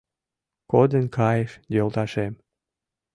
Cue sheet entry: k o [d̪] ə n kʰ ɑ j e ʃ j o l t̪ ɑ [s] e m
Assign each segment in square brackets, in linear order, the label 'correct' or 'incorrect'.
correct, incorrect: ʃ

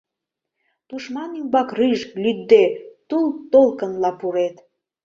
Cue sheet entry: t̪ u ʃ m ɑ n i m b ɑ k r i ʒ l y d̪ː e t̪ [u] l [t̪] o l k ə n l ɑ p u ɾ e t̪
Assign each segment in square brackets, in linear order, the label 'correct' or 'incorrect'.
correct, correct

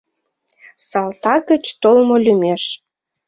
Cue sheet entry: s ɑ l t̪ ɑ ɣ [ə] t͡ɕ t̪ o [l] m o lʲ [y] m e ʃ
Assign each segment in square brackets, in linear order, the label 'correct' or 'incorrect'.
correct, correct, correct

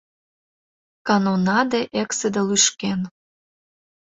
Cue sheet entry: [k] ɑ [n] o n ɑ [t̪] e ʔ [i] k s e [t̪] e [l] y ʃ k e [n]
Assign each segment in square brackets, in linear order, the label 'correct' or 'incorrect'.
correct, correct, incorrect: d̪, incorrect: e, incorrect: d̪, correct, correct

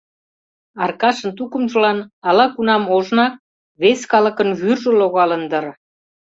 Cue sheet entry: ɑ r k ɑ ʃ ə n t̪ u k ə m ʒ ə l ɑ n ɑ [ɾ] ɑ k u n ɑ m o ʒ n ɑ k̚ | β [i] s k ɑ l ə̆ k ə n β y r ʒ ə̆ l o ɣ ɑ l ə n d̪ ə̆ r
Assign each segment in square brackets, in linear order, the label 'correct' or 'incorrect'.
incorrect: l, incorrect: e

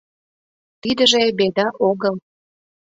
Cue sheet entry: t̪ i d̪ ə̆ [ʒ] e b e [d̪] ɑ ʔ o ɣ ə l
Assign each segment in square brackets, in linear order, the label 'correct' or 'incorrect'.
correct, correct

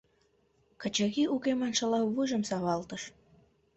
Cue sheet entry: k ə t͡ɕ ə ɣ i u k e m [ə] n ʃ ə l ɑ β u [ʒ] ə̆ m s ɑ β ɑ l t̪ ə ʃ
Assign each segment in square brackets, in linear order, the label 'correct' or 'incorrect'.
incorrect: ɑ, correct

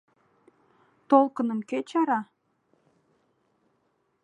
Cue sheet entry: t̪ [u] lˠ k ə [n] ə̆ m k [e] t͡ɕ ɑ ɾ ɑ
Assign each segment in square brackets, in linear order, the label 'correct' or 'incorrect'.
incorrect: o, correct, correct

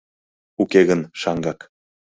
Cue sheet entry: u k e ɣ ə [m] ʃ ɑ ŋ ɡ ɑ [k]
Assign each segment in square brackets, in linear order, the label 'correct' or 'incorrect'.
incorrect: n, correct

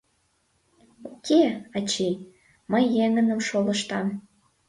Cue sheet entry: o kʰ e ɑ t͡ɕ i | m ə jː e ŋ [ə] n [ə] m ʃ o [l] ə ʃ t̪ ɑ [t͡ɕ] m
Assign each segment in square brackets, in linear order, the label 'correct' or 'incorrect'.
correct, correct, correct, incorrect: none

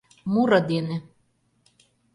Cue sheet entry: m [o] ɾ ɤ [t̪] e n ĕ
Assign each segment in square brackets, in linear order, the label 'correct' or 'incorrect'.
incorrect: u, incorrect: d̪

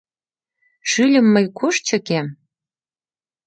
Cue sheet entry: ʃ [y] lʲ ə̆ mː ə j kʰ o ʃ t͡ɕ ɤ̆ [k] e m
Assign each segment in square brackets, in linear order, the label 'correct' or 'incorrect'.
correct, correct

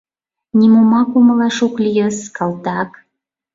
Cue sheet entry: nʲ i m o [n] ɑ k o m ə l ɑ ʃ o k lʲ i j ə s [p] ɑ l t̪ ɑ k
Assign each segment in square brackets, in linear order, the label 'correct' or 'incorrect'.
incorrect: m, incorrect: k

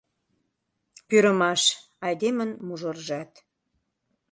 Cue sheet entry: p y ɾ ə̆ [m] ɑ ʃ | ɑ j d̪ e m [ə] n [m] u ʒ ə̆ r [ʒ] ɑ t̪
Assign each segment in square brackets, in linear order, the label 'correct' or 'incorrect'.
correct, correct, correct, correct

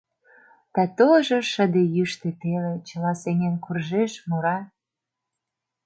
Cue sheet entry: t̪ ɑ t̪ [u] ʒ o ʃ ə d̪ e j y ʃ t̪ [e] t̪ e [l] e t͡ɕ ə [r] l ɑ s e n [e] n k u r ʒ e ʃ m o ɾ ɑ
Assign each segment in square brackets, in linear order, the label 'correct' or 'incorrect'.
incorrect: o, correct, correct, incorrect: none, correct

